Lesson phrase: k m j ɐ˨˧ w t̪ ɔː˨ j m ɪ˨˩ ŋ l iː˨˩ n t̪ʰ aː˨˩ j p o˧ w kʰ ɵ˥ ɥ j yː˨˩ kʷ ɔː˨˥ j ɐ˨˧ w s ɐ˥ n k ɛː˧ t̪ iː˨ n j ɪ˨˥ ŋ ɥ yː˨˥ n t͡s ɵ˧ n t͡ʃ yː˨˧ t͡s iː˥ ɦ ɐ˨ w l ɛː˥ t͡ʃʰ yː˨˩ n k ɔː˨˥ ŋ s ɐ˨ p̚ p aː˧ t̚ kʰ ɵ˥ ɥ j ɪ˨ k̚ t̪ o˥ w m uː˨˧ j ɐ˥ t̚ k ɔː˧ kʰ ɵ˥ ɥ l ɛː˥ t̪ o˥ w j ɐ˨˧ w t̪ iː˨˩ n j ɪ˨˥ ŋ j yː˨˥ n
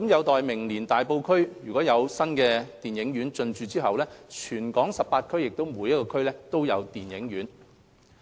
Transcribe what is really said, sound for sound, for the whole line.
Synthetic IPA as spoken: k m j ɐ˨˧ w t̪ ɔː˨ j m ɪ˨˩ ŋ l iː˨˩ n t̪ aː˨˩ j p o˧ w kʰ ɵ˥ ɥ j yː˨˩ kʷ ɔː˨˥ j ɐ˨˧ w s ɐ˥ n k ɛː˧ t̪ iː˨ n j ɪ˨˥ ŋ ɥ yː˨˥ n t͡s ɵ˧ n t͡ʃ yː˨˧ t͡s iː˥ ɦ ɐ˨ w l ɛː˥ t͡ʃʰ yː˨˩ n k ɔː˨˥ ŋ s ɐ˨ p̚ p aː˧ t̚ kʰ ɵ˥ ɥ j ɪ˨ k̚ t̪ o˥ w m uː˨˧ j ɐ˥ t̚ k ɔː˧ kʰ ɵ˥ ɥ l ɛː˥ t̪ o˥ w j ɐ˨˧ w t̪ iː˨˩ n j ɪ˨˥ ŋ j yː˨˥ n